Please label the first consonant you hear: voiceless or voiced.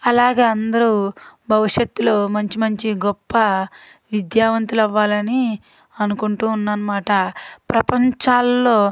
voiced